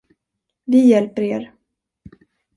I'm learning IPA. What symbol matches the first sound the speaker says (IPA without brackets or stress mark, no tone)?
v